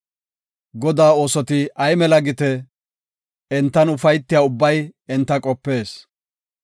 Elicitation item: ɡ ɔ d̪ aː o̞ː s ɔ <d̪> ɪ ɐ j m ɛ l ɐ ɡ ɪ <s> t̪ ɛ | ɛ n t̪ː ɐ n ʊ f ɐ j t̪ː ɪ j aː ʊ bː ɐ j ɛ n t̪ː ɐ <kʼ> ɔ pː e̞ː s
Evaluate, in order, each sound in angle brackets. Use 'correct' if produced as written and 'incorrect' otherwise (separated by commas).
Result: incorrect, incorrect, correct